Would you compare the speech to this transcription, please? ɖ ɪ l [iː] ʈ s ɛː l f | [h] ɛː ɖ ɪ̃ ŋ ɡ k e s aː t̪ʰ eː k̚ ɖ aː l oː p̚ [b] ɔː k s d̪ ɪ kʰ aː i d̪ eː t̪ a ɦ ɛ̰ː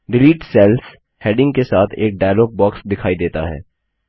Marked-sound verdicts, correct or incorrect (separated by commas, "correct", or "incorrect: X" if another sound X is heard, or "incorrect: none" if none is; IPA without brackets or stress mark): correct, correct, correct